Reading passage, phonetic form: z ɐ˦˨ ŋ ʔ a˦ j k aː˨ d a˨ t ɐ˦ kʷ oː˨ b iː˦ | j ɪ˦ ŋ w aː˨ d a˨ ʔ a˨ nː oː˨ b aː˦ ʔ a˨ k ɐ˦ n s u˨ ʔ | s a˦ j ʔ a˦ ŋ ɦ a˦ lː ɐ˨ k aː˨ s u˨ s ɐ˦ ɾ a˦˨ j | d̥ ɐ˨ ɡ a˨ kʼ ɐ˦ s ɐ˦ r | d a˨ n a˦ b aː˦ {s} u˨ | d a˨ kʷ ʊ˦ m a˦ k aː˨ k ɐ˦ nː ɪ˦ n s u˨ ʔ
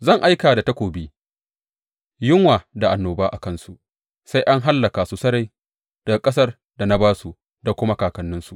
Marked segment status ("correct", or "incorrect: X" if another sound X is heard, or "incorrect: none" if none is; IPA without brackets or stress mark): correct